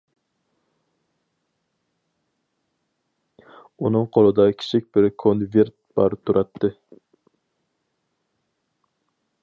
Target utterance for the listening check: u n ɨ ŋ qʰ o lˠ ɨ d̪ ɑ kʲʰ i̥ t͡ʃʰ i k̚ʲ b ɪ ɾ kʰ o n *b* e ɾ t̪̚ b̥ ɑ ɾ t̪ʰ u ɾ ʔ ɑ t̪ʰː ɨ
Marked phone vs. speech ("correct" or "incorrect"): incorrect